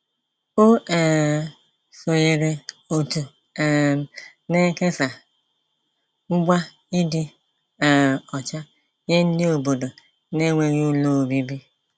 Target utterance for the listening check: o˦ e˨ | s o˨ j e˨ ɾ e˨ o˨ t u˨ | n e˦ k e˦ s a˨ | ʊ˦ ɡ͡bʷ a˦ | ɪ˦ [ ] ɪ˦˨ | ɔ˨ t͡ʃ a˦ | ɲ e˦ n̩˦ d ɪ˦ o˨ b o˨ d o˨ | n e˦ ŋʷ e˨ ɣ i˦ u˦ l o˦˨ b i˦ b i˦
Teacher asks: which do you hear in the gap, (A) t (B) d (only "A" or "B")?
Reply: B